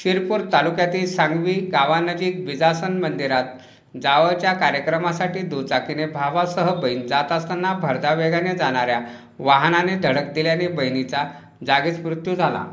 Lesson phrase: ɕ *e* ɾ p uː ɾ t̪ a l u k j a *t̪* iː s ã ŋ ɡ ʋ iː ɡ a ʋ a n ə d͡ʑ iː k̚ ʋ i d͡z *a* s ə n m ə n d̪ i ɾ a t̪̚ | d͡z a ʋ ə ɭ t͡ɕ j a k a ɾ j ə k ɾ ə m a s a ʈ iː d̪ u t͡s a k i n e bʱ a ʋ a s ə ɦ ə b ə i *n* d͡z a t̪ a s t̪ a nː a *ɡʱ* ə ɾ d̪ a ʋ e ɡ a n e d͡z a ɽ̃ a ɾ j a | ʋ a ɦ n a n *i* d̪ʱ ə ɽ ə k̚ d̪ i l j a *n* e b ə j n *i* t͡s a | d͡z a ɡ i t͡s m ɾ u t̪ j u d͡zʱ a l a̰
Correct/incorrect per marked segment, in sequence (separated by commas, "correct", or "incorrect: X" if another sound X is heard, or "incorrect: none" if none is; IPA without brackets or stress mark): incorrect: i, correct, correct, correct, incorrect: bʱ, incorrect: e, correct, correct